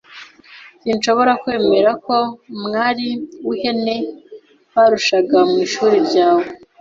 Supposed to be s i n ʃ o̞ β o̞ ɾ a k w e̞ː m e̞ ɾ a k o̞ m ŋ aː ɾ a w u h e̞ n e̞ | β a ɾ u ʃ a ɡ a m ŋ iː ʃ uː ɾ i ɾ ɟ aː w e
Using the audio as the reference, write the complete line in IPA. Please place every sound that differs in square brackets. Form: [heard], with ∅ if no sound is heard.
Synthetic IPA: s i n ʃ o̞ β o̞ ɾ a k w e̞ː m e̞ ɾ a k o̞ m ŋ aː ɾ [i] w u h e̞ n e̞ | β a ɾ u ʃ a ɡ a m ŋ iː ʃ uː ɾ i ɾ ɟ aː w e